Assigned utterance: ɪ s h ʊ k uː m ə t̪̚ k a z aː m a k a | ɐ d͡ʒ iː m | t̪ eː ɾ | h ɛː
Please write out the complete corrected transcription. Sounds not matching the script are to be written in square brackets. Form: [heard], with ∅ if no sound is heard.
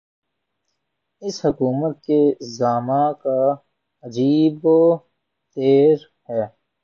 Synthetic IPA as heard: ɪ s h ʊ k uː m ə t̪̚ k [e] z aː m a k a | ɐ d͡ʒ iː [b] | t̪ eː ɾ | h ɛː